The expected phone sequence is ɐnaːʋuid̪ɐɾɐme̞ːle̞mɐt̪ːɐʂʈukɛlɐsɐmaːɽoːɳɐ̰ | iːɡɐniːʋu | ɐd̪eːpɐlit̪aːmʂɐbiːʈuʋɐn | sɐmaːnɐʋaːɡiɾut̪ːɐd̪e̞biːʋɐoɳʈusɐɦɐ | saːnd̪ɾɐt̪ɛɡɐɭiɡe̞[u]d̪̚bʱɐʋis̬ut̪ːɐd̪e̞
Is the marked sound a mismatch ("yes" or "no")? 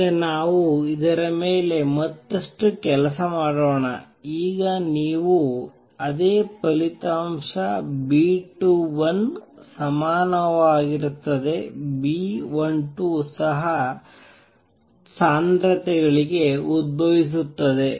no